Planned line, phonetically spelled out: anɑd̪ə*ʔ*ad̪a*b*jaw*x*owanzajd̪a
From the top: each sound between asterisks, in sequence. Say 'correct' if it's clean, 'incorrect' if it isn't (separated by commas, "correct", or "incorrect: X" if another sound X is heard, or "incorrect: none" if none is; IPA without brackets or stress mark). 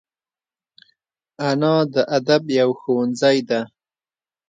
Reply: correct, correct, correct